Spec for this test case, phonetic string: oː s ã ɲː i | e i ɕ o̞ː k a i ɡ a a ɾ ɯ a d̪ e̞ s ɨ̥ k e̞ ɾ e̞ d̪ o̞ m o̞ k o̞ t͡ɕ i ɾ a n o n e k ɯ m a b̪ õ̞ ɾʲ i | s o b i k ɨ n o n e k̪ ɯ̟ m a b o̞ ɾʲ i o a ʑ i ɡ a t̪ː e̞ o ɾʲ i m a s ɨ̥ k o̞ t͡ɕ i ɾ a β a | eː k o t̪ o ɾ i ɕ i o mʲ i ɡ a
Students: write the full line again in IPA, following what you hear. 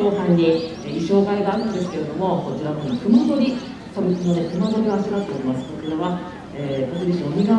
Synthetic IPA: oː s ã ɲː i | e i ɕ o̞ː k a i ɡ a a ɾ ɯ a d̪ e̞ s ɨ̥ k e̞ ɾ e̞ d̪ o̞ m o̞ k o̞ t͡ɕ i ɾ a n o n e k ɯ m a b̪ o̞ ɾʲ i | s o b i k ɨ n o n e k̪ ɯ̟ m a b o̞ ɾʲ i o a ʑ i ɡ a t̪ː e̞ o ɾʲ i m a s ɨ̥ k o̞ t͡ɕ i ɾ a β a | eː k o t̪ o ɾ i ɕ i o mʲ i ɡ a